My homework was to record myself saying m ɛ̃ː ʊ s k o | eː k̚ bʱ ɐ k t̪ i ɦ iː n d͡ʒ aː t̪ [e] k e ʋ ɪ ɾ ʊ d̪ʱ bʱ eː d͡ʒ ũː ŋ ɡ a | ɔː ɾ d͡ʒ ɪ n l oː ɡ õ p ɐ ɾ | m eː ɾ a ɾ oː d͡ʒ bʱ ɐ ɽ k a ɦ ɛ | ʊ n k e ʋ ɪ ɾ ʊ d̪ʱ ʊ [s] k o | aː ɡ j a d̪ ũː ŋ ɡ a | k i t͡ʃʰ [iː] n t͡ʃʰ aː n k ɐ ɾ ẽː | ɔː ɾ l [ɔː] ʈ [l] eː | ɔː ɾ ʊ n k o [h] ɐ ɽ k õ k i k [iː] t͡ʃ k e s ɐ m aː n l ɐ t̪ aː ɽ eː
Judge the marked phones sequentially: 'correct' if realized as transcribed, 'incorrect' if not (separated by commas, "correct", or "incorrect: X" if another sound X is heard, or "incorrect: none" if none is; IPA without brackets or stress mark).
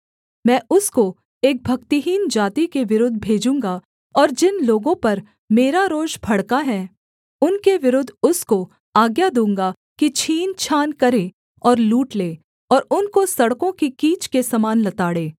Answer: incorrect: i, correct, correct, incorrect: uː, correct, incorrect: s, correct